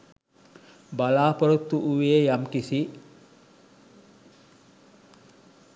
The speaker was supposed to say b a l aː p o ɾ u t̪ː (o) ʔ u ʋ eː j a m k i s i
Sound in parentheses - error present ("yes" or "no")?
yes